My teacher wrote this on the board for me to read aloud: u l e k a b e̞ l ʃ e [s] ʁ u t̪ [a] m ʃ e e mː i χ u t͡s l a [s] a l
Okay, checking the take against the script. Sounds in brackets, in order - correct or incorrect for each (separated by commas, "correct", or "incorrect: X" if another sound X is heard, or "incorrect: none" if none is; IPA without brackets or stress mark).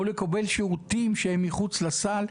incorrect: none, incorrect: i, correct